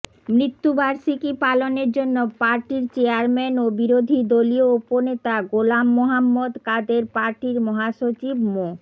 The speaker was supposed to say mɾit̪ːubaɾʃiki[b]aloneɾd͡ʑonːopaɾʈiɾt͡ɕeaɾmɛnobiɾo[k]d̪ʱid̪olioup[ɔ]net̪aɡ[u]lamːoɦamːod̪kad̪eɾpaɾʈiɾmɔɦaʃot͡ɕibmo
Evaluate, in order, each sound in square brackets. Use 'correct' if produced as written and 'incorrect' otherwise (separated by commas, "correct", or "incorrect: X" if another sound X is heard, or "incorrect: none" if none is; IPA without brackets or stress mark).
incorrect: p, incorrect: none, incorrect: o, incorrect: o